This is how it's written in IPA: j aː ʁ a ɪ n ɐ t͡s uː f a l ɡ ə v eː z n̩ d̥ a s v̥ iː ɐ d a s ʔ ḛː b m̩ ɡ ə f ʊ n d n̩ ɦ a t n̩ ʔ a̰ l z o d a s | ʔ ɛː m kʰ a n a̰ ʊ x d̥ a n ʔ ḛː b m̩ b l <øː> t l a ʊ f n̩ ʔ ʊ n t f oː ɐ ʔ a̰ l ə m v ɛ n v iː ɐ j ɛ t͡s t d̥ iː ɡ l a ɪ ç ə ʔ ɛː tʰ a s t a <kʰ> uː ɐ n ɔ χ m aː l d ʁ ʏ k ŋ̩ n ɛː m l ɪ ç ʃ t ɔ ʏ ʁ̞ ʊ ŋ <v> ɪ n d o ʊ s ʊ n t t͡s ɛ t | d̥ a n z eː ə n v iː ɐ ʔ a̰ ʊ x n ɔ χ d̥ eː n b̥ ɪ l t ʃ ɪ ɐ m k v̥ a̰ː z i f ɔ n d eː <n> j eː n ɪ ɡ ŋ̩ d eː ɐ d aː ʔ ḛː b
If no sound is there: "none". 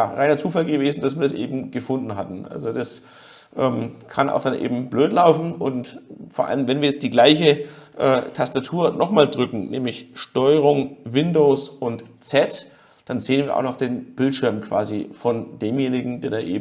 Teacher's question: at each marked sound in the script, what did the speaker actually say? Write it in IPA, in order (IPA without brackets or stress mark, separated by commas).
øː, tʰ, v, m